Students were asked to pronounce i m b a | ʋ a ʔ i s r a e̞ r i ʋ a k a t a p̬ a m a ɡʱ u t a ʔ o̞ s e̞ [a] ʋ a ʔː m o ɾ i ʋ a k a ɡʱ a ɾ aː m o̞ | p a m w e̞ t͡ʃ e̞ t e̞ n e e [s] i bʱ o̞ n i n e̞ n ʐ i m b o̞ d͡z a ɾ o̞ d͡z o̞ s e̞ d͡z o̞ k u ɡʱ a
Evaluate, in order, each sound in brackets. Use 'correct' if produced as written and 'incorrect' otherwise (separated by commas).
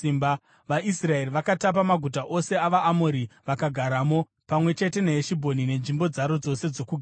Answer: correct, incorrect